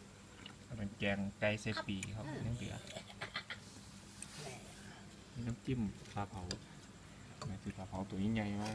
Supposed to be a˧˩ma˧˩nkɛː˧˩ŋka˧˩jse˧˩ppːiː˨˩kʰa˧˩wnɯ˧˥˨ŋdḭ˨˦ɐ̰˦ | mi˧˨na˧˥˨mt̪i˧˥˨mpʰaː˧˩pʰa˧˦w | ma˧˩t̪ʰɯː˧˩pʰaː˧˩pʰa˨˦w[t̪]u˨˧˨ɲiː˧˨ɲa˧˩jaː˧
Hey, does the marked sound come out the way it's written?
yes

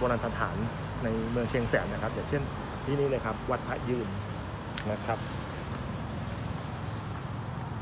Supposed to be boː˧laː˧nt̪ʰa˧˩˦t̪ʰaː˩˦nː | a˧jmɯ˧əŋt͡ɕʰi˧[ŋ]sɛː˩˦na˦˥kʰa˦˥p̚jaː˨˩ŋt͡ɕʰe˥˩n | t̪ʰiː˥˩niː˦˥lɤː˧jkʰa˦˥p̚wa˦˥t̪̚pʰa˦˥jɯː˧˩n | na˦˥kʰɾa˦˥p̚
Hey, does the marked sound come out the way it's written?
yes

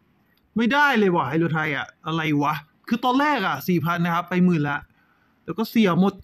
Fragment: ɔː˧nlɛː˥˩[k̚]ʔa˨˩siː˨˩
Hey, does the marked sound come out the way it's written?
yes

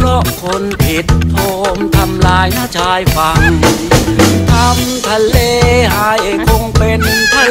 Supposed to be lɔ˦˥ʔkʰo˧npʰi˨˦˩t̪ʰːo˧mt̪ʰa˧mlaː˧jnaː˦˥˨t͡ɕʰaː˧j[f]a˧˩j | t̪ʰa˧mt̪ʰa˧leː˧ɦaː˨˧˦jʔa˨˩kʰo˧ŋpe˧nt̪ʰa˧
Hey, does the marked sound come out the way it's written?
yes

